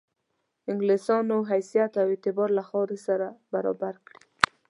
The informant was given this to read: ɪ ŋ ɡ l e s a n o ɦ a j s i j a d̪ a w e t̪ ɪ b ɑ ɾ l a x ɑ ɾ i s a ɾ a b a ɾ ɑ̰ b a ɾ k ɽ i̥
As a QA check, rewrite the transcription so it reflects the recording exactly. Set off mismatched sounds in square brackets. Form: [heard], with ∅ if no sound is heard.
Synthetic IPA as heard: ɪ ŋ ɡ l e s [ɑ] n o ɦ a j s i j a [t̪] a w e t̪ ɪ b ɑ ɾ l a x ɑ ɾ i s a ɾ a b a ɾ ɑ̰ b a ɾ k ɽ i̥